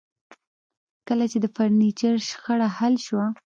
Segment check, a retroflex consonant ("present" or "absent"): present